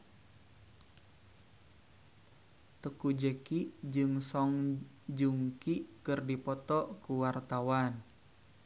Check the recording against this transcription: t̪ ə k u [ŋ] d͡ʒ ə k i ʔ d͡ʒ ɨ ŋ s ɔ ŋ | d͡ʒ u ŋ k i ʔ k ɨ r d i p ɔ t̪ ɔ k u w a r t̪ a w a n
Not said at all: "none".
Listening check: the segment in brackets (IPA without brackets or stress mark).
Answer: none